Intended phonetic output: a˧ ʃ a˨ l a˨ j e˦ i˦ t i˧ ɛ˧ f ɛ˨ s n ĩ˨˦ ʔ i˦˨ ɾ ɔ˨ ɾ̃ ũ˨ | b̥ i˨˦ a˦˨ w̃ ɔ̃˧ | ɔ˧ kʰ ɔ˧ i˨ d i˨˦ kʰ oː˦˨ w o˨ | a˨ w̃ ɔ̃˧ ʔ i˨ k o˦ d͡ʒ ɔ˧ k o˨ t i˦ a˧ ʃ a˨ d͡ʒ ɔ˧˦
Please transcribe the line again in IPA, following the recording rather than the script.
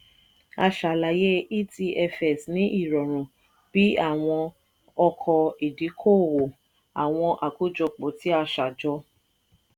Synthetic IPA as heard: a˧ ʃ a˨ l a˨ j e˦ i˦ t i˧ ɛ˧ f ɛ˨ s n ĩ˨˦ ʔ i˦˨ ɾ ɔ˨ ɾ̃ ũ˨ | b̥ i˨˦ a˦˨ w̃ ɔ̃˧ | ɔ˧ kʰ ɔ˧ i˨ d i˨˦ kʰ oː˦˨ w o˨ | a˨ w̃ ɔ̃˧ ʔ a˨ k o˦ d͡ʒ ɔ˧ k͡p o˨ t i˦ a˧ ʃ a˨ d͡ʒ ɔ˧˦